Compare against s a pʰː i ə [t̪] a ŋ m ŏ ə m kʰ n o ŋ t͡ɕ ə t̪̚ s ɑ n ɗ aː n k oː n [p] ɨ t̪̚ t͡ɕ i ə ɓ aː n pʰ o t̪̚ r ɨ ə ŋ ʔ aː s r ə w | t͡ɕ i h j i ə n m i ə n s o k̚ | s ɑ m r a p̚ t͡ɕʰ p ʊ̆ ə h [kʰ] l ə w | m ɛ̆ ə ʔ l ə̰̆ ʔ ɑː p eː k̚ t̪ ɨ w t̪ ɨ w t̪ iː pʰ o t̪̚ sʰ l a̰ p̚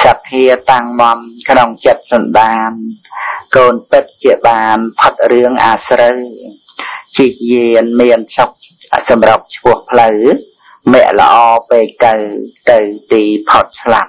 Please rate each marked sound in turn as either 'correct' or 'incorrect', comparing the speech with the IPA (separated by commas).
correct, correct, incorrect